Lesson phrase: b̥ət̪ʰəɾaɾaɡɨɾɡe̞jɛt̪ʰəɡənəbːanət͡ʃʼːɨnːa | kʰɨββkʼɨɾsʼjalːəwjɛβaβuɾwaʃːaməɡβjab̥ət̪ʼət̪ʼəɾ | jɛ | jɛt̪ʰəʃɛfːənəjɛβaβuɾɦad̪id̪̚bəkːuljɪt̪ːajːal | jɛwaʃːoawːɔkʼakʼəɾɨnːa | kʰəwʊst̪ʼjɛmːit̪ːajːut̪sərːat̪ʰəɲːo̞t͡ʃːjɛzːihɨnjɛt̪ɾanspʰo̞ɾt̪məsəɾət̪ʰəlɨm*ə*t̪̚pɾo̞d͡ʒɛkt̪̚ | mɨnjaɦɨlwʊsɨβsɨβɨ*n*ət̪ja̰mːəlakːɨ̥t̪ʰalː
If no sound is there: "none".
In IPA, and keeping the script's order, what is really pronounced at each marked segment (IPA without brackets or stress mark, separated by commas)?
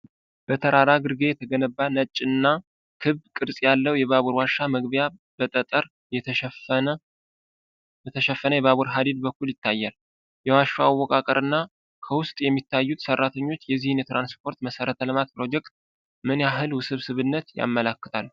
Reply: a, nː